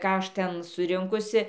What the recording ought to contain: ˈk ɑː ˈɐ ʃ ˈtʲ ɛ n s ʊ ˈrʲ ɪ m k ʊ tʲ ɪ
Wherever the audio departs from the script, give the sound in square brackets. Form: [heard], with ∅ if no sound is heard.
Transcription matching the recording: ˈk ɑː ˈɐ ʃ ˈtʲ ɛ n s ʊ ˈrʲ ɪ [ŋ] k ʊ [sʲ] ɪ